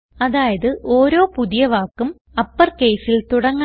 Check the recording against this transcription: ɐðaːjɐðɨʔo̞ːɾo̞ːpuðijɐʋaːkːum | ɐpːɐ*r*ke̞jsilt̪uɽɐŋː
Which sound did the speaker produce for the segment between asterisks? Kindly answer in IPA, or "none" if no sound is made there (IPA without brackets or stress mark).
r